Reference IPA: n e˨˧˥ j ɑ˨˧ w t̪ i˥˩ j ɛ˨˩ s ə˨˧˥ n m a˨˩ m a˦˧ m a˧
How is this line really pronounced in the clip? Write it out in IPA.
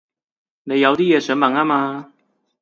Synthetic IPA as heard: n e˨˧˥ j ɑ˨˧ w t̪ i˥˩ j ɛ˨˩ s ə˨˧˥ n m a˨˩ ŋ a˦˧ m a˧